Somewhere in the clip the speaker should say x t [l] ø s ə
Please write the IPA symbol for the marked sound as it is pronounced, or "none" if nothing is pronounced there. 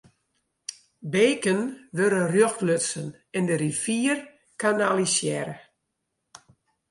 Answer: l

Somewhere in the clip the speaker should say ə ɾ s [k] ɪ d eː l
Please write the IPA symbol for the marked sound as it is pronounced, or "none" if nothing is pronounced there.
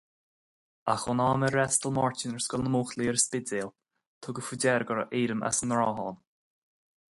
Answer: p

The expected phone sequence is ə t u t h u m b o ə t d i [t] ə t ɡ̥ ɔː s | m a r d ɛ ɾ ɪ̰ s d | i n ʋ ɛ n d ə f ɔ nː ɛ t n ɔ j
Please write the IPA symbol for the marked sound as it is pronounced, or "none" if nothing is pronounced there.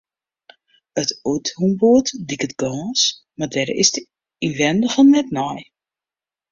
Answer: k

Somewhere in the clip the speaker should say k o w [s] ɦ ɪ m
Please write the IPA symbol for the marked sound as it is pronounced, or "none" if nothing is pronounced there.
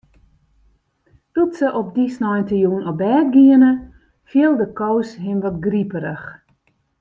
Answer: s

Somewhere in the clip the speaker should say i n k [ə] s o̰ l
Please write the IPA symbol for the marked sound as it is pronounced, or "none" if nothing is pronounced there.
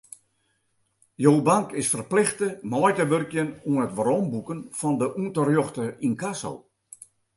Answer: a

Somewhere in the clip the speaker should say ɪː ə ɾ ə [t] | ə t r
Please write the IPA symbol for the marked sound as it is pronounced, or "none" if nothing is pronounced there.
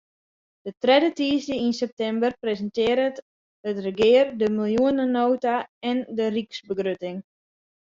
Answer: t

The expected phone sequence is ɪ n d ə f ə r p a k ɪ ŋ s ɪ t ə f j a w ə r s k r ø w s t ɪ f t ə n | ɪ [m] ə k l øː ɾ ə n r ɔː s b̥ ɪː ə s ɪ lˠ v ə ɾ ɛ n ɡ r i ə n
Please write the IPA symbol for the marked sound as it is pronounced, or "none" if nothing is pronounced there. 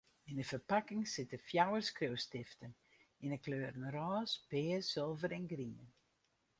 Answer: n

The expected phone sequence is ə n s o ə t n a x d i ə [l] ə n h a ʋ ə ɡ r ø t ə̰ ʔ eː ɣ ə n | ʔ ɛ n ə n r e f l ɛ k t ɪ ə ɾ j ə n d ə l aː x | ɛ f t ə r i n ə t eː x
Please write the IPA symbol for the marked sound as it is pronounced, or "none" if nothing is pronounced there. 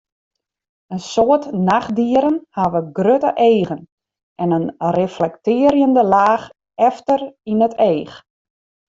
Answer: ɾ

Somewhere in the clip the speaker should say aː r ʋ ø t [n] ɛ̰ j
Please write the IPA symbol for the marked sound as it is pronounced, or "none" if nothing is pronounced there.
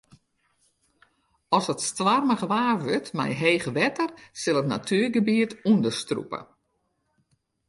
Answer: m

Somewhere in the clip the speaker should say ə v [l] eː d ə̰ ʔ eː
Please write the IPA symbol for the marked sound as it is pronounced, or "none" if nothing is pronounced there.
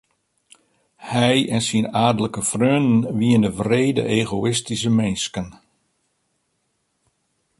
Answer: r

